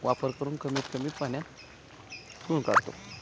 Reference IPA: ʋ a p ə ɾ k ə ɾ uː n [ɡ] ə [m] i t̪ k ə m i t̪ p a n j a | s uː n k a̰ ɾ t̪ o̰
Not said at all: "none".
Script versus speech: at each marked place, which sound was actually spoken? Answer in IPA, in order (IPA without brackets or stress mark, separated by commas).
k, m